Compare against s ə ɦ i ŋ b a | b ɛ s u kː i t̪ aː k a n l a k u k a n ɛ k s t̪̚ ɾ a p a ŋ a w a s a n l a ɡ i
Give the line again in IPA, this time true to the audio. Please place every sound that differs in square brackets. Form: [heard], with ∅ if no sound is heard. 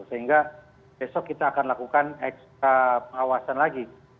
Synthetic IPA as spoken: s ə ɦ i ŋ [ɡ] a | b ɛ s [ɔ] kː i t̪ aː k a n l a k u k a n ɛ k s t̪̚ ɾ a p [ə] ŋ a w a s a n l a ɡ i

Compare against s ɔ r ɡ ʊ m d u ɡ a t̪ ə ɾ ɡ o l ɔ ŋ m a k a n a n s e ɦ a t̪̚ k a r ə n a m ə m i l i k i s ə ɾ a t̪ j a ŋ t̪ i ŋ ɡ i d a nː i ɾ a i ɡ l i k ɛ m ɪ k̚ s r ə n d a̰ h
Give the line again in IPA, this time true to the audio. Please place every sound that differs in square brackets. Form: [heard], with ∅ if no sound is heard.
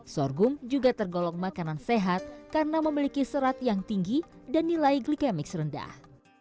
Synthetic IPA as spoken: s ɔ r ɡ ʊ m [d͡ʒ] u ɡ a t̪ ə [r] ɡ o l ɔ ŋ m a k a n a n s e ɦ a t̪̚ k a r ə n a m ə m i l i k i s ə ɾ a t̪ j a ŋ t̪ i ŋ ɡ i d a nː i [l] a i ɡ l i k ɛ m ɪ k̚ s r ə n d a̰ h

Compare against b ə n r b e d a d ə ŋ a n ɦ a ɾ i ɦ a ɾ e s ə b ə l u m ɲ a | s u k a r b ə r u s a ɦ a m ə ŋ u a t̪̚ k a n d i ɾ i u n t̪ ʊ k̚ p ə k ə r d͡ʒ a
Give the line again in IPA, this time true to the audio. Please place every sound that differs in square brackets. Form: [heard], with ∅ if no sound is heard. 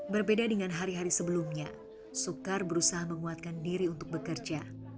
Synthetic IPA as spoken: b ə [∅] r b e d a d ə ŋ a n ɦ a ɾ i ɦ a ɾ [i] s ə b ə l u m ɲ a | s u k a r b ə [ɾ] u s a ɦ a m ə ŋ u a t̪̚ k a n d i ɾ i u n t̪ ʊ k̚ [b] ə k ə r d͡ʒ a

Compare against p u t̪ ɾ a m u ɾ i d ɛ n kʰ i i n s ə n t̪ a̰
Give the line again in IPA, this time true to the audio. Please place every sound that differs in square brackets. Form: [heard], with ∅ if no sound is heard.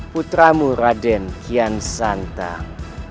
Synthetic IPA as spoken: p u t̪ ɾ a m u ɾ [a] d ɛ n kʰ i [a] n s [a] n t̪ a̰

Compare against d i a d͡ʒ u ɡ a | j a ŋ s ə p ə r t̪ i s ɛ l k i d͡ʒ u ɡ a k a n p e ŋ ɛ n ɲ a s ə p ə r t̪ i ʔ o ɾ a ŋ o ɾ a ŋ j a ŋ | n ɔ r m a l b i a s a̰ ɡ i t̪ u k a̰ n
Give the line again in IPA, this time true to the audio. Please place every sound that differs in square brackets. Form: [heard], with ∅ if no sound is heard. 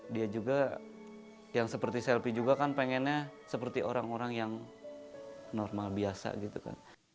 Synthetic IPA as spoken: d i a d͡ʒ u ɡ a | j a ŋ s ə p ə r t̪ i s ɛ l [p] i d͡ʒ u ɡ a k a n p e ŋ ɛ n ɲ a s ə p ə r t̪ i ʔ o ɾ a ŋ o ɾ a ŋ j a ŋ | n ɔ r m a l b i a s a̰ ɡ i t̪ u k a̰ n

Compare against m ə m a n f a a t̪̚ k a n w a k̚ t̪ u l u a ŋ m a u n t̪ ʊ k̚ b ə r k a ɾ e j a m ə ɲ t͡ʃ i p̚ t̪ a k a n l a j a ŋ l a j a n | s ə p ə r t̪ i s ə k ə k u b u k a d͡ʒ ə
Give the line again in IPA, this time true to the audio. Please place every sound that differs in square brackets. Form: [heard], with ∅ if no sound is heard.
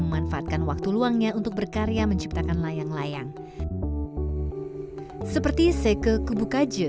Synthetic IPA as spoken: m ə m a n f a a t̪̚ k a n w a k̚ t̪ u l u a ŋ [ɲ] a u n t̪ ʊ k̚ b ə r k a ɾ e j a m ə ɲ t͡ʃ i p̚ t̪ a k a n l a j a ŋ l a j a [ŋ] | s ə p ə r t̪ i s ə k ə k u b u k a d͡ʒ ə

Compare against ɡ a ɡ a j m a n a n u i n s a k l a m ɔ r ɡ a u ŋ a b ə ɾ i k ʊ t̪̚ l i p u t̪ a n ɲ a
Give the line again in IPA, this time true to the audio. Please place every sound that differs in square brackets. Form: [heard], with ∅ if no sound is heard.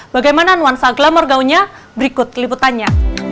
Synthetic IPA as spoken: [b] a ɡ a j m a n a n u [a] n s a [ɡ] l a m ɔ r ɡ a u [ɲ] a b ə ɾ i k ʊ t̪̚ l i p u t̪ a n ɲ a

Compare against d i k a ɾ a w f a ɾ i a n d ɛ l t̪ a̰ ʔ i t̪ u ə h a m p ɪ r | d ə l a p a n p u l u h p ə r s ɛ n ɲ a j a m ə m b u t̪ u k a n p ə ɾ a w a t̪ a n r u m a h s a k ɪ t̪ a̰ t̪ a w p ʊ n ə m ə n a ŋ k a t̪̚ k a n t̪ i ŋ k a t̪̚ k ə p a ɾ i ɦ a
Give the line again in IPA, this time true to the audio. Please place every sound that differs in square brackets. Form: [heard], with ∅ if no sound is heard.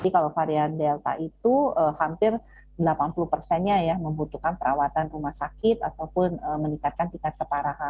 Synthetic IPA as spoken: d i k a [l] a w f a ɾ i a n d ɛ l t̪ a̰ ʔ i t̪ u ə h a m p ɪ r | d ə l a p a n p u l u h p ə r s ɛ n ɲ a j a m ə m b u t̪ u k a n p ə ɾ a w a t̪ a n r u m a h s a k ɪ t̪ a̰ t̪ a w p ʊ n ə m ə n [i] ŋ k a t̪̚ k a n t̪ i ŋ k a t̪̚ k ə p a ɾ [a] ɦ a

